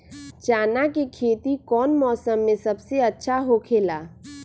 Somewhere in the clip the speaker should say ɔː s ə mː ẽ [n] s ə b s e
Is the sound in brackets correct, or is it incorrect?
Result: incorrect